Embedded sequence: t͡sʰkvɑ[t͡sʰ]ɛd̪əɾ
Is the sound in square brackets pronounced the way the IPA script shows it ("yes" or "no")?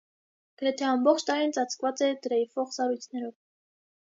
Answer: no